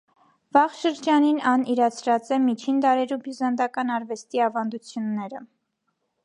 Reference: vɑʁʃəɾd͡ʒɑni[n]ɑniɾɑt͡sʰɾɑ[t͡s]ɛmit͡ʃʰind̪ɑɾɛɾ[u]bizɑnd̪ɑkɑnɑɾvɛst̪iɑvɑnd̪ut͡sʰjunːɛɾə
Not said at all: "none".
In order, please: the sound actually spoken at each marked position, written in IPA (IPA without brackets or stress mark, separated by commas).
n, t͡s, u